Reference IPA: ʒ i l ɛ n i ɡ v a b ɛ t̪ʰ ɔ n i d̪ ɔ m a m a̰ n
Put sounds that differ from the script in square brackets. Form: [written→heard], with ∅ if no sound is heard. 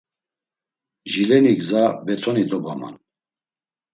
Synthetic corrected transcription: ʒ i l ɛ n i ɡ [v→z] a b ɛ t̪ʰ ɔ n i d̪ ɔ [m→b] a m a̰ n